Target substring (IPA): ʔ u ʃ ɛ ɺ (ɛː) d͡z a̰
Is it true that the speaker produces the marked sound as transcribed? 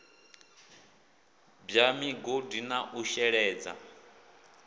yes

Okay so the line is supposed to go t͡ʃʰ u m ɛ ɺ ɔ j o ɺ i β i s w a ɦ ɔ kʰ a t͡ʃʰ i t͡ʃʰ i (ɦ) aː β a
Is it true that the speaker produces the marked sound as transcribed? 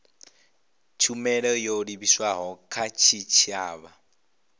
no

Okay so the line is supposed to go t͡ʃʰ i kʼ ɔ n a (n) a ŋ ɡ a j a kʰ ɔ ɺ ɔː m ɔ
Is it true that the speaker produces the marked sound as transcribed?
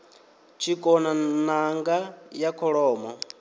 yes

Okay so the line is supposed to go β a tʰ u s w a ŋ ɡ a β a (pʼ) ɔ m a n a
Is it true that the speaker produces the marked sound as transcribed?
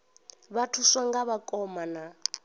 no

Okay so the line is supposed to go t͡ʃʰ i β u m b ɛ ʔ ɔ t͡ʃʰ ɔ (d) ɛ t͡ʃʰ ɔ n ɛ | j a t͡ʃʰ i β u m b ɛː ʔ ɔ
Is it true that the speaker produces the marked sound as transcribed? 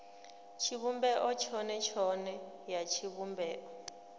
no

